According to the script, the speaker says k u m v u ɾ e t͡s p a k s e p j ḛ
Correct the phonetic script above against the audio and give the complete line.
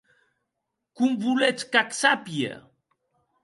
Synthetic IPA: k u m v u l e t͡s k a k s a p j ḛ